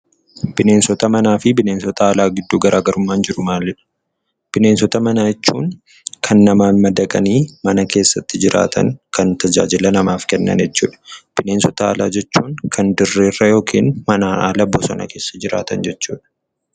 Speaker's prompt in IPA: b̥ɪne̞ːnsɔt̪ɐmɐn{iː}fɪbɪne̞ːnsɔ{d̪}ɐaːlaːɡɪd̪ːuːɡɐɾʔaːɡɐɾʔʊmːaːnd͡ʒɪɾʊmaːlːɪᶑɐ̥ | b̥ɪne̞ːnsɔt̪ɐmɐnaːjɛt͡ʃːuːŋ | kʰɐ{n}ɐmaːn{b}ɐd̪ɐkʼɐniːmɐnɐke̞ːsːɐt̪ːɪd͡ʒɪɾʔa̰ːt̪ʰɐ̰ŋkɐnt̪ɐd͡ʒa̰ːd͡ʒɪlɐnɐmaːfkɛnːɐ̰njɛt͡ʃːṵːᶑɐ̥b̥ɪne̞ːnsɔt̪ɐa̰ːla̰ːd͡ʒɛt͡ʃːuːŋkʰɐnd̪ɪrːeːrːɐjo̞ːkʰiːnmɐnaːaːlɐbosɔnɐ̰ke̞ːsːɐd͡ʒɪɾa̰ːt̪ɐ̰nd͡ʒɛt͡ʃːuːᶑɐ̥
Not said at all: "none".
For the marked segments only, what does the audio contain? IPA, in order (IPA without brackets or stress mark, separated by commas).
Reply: aː, t̪, nː, m